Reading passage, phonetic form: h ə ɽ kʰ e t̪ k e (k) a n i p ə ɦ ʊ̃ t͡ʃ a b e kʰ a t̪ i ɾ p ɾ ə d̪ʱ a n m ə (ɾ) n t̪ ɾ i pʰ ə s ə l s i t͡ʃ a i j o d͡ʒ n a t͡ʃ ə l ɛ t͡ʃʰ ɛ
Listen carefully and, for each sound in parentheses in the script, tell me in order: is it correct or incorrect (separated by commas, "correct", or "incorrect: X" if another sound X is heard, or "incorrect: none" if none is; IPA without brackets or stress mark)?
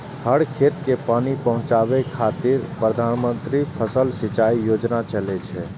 incorrect: p, incorrect: none